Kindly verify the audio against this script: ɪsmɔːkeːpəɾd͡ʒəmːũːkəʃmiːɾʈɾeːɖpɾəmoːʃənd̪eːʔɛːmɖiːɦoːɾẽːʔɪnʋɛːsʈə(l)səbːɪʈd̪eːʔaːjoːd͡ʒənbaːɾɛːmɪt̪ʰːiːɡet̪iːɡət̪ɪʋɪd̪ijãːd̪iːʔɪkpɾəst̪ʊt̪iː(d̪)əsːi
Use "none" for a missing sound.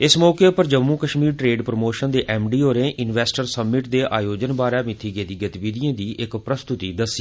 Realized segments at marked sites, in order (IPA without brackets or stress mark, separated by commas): ɾ, d̪